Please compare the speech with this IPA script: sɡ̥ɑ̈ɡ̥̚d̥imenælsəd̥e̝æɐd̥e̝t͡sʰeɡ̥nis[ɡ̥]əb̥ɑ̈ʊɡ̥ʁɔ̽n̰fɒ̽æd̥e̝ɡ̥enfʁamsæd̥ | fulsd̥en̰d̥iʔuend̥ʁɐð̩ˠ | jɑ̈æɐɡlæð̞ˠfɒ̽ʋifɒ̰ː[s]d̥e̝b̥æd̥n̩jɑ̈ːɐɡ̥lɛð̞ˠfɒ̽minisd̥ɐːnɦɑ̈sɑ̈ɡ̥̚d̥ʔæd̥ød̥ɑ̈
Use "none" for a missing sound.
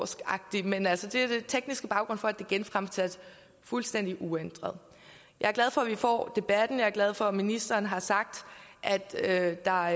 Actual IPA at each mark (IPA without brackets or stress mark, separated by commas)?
ɡ̥, none